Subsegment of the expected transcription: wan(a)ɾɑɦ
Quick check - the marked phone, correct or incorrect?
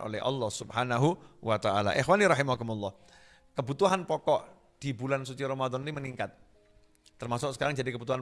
incorrect